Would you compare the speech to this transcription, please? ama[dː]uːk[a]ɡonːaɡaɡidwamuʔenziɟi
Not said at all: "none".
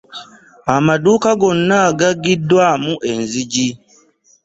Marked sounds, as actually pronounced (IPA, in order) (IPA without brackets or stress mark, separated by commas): d, a